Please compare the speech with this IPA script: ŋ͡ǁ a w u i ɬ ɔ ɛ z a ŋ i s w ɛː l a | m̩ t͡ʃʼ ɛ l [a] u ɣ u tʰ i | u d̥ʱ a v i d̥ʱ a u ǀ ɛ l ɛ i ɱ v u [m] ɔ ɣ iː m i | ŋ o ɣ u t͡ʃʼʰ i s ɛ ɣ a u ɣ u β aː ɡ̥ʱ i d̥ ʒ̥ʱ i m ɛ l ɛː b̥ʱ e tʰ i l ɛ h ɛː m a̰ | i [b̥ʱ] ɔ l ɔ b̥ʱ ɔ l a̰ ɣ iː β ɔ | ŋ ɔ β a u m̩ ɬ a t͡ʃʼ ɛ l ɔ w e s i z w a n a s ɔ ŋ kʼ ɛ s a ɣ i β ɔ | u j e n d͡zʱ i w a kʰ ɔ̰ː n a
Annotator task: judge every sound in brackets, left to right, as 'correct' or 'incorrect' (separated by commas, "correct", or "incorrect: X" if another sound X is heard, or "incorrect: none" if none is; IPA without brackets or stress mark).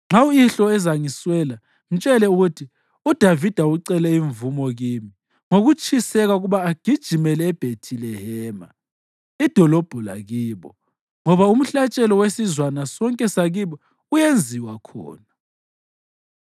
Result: incorrect: ɛ, correct, incorrect: d̥ʱ